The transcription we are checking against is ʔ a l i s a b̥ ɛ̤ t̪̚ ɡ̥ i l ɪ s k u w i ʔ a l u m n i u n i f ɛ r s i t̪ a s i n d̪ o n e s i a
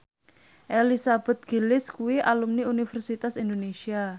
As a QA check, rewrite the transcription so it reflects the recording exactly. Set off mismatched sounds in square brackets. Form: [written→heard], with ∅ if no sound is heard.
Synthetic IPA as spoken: ʔ [a→e] l i s a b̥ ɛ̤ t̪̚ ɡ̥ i l ɪ s k u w i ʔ a l u m n i u n i f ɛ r s i t̪ a s i n d̪ o n e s i a